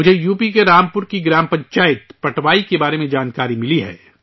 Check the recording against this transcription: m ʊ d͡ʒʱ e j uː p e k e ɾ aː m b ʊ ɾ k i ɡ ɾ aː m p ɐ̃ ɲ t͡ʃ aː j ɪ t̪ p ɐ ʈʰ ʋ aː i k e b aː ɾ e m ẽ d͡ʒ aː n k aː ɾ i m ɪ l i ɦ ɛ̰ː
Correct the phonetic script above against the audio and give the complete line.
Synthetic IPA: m ʊ d͡ʒʱ e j uː p i k e ɾ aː m p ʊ ɾ k i ɡ ɾ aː m p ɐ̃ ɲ t͡ʃ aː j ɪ t̪ p ɐ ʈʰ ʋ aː i k e b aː ɾ e m ẽ d͡ʒ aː n k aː ɾ i m ɪ l i ɦ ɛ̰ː

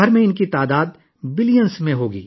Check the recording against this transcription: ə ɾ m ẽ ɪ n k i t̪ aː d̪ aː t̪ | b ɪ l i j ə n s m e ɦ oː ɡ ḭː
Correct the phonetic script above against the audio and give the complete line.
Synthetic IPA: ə ɾ m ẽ ɪ n k i t̪ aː d̪ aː d̪ | b ɪ l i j ə n s m ẽ ɦ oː ɡ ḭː

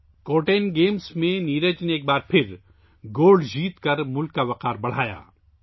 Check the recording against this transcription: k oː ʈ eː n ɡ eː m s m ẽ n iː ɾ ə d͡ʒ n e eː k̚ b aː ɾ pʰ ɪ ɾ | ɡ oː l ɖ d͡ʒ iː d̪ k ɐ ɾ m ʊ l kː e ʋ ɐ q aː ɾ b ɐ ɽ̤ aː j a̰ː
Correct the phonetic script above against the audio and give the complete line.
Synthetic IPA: k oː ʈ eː n ɡ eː m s m ẽ n iː ɾ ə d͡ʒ n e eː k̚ b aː ɾ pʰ ɪ ɾ | ɡ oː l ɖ d͡ʒ iː t̪ k ɐ ɾ m ʊ l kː a ʋ ɐ q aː ɾ b ɐ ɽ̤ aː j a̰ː

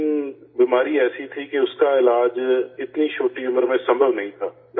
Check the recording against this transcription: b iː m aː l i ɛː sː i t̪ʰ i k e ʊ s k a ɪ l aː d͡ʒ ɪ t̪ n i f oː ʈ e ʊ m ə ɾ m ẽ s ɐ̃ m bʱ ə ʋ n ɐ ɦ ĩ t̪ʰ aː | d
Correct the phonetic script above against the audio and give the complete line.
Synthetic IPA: b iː m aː ɾ i ɛː s i t̪ʰ i k e ʊ s k a ɪ l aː d͡ʒ ɪ t̪ n i ʃ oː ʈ i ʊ m ə ɾ m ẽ s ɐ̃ m bʱ ə ʋ n ɐ ɦ ĩ t̪ʰ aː | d

